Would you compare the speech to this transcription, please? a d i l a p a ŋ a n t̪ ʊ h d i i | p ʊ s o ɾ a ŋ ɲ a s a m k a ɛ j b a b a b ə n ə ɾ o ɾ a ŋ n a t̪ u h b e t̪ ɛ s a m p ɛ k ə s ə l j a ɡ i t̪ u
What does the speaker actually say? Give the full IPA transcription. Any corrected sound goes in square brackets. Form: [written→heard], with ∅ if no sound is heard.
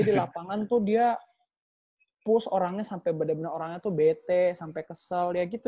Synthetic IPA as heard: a d i l a p a ŋ a n t̪ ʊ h d i [i→a] | p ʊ s o ɾ a ŋ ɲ a s a m [k→p] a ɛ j b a [b→d] a b ə n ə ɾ o ɾ a ŋ [n→ɲ] a t̪ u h b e t̪ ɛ s a m p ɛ k ə s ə l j a ɡ i t̪ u

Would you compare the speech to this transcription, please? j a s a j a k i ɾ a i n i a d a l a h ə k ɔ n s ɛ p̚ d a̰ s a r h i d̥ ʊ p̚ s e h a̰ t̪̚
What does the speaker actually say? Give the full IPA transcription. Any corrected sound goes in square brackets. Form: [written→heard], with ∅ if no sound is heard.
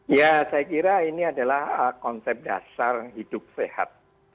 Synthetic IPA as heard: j a s a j a k i ɾ a i n i a d a l a h ə k ɔ n s ɛ p̚ d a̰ s a r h i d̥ ʊ p̚ s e h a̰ t̪̚

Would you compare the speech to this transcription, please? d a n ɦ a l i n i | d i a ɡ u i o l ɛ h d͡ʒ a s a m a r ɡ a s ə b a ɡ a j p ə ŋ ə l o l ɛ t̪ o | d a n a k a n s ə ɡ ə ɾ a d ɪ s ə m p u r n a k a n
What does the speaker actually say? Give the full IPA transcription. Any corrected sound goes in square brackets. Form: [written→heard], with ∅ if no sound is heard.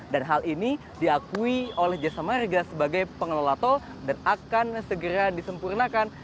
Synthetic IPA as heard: d a n ɦ a l i n i | d i a [ɡ→k] u i o l ɛ h d͡ʒ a s a m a r ɡ a s ə b a ɡ a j p ə ŋ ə l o l [ɛ→a] t̪ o | d a n a k a n s ə ɡ ə ɾ a d [ɪ→i] s ə m p u r n a k a n

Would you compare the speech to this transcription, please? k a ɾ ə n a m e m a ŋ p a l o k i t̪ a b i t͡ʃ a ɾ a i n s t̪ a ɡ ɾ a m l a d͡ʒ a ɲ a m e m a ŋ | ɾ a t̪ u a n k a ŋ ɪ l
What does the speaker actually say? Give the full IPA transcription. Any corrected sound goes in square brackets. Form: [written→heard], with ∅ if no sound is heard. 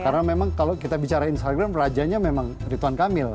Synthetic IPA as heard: k a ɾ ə n a m e m a ŋ [p→k] a l o k i t̪ a b i t͡ʃ a ɾ a i n s t̪ a ɡ ɾ a m [l→r] a d͡ʒ a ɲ a m e m a ŋ | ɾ [a→i] t̪ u a n k a [ŋ→m] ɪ l

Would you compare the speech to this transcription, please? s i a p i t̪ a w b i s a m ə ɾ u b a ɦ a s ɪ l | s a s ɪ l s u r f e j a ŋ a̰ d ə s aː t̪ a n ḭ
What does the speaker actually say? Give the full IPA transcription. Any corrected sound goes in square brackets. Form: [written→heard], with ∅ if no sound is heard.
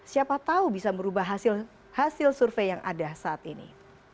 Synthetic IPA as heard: s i a p [i→a] t̪ a [w→u] b i s a m ə ɾ u b a ɦ a s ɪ l | [s→h] a s ɪ l s u r f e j a ŋ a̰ d [ə→a] s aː t̪ [a→i] n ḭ

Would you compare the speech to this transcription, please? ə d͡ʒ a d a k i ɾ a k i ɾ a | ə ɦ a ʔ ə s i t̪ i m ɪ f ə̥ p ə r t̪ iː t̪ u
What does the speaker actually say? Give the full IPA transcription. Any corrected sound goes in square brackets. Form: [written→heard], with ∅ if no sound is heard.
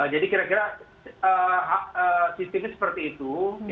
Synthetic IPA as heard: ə d͡ʒ a d [a→i] k i ɾ a k i ɾ a | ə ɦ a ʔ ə s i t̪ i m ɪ [f→s] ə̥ p ə r t̪ iː t̪ u

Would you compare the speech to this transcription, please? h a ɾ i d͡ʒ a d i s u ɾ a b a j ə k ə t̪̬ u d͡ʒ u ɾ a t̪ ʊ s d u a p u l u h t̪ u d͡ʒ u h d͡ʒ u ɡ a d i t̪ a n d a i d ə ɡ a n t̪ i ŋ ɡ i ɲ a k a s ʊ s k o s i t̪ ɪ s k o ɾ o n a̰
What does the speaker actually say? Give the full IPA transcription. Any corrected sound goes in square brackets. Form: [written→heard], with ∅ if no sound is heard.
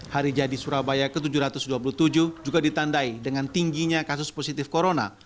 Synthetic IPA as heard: h a ɾ i d͡ʒ a d i s u ɾ a b a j [ə→a] k ə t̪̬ u d͡ʒ u ɾ a t̪ ʊ s d u a p u l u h t̪ u d͡ʒ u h d͡ʒ u ɡ a d i t̪ a n d a i d ə [ɡ→ŋ] a n t̪ i ŋ ɡ i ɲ a k a s ʊ s [k→p] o s i t̪ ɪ [s→f] k o ɾ o n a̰

